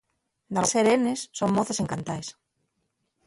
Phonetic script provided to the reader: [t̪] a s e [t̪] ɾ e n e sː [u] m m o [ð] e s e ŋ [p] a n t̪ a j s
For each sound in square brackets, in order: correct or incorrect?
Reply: incorrect, incorrect, incorrect, incorrect, incorrect

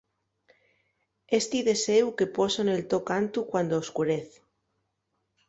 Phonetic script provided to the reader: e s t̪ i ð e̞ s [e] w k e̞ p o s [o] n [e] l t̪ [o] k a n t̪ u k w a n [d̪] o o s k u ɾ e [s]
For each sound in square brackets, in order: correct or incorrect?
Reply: correct, correct, correct, correct, correct, incorrect

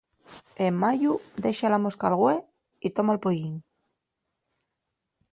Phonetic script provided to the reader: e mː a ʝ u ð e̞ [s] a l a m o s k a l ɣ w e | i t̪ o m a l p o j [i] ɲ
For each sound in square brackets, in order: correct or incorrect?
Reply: incorrect, correct

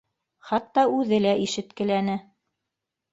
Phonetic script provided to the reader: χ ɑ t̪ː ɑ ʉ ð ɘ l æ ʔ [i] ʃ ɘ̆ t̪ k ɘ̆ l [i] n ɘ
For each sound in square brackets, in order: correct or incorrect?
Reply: correct, incorrect

